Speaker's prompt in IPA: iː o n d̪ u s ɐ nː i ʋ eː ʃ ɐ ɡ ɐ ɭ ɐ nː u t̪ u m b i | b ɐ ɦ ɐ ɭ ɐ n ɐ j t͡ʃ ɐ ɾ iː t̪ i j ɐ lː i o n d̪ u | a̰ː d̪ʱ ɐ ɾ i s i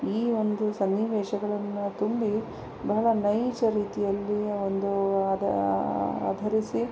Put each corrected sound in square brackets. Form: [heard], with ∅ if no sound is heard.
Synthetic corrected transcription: iː o n d̪ u s ɐ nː i ʋ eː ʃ ɐ ɡ ɐ ɭ ɐ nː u t̪ u m b i | b ɐ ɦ ɐ ɭ ɐ n ɐ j t͡ʃ ɐ ɾ iː t̪ i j ɐ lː i o n d̪ u | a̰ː d̪ʱ ɐ ɾ i s i